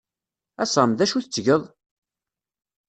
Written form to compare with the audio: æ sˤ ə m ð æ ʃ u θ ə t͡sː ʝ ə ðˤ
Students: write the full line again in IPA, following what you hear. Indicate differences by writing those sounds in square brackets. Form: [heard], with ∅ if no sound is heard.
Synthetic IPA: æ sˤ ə m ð æ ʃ u θ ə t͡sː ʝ ə ðˤ